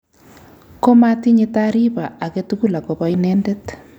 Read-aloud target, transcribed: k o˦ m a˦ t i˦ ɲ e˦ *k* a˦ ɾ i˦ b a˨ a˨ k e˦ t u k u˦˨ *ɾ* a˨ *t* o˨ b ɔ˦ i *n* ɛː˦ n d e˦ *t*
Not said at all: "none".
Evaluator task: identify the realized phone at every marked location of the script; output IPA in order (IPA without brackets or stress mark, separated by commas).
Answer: t, l, k, n, t